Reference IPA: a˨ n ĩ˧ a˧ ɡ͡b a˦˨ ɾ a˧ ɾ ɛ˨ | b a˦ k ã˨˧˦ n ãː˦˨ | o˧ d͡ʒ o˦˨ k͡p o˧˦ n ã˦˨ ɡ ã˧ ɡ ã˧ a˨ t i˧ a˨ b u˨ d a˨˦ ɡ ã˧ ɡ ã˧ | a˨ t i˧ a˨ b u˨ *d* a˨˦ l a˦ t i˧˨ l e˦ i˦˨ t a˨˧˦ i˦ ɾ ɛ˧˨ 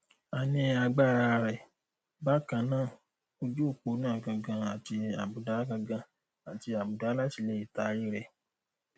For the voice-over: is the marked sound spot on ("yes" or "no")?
yes